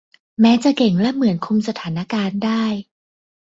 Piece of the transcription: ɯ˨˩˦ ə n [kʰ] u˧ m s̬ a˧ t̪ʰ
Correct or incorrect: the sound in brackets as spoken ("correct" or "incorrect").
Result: correct